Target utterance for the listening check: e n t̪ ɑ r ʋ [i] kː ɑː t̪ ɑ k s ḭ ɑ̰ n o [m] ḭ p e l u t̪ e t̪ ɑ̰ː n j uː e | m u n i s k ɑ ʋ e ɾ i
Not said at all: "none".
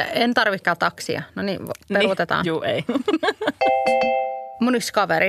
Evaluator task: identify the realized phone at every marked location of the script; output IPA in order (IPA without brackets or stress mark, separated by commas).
i, n